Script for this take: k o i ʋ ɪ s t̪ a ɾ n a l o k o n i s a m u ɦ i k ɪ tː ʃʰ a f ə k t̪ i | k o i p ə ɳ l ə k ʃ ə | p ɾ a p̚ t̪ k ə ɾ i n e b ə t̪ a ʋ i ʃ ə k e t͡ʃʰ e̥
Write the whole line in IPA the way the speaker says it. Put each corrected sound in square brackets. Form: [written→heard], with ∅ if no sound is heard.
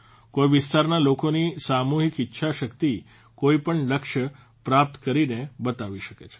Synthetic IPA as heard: k o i ʋ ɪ s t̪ a ɾ n a l o k o n i s a m u ɦ i k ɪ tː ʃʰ a [f→ʃ] ə k t̪ i | k o i p ə ɳ l ə k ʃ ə | p ɾ a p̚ t̪ k ə ɾ i n e b ə t̪ a ʋ i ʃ ə k e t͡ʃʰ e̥